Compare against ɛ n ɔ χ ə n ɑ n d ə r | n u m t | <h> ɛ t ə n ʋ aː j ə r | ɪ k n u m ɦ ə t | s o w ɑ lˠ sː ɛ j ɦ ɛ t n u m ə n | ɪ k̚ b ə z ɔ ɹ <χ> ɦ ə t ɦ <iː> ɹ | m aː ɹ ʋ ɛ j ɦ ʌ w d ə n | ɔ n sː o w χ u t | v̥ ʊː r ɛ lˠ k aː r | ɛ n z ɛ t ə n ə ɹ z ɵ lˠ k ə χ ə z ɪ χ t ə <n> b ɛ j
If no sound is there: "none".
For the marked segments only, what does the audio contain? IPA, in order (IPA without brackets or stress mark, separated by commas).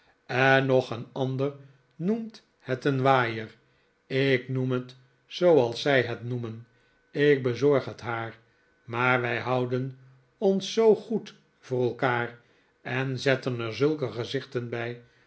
h, χ, aː, n